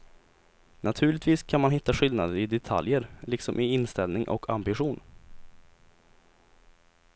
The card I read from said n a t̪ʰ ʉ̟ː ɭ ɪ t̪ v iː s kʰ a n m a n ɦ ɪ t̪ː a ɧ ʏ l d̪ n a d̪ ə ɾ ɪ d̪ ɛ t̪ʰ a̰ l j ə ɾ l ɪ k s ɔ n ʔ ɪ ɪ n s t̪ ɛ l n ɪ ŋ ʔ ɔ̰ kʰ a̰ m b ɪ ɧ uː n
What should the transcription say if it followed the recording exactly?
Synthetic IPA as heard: n a t̪ʰ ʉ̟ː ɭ ɪ t̪ v iː s kʰ a n m a n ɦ ɪ t̪ː a ɧ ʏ l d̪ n a d̪ ə ɾ ɪ d̪ ɛ t̪ʰ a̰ l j ə ɾ l ɪ k s ɔ m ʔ ɪ ɪ n s t̪ ɛ l n ɪ ŋ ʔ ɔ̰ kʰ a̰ m b ɪ ɧ uː n